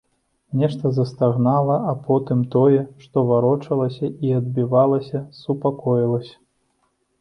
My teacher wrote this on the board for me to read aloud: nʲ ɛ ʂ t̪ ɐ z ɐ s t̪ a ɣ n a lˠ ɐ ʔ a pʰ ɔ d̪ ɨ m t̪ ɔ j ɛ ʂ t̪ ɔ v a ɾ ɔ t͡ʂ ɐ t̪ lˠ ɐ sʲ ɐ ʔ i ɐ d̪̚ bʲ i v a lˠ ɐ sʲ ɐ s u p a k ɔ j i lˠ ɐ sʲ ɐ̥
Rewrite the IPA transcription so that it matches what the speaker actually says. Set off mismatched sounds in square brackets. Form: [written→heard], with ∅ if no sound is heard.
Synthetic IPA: nʲ ɛ ʂ t̪ ɐ z ɐ s t̪ a ɣ n a lˠ ɐ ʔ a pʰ ɔ [d̪→t̪] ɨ m t̪ ɔ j ɛ ʂ t̪ ɔ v a ɾ ɔ t͡ʂ ɐ [t̪→∅] lˠ ɐ sʲ ɐ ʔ i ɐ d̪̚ bʲ i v a lˠ ɐ sʲ ɐ s u p a k ɔ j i lˠ ɐ sʲ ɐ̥